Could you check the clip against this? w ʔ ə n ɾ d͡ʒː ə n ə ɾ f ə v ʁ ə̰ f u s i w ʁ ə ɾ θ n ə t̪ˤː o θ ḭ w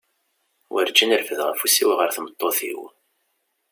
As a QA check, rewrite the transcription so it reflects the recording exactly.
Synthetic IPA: w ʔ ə ɾ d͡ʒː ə n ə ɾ f ə ð ʁ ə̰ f u s i w ʁ ə ɾ θ m ə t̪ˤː o θ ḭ w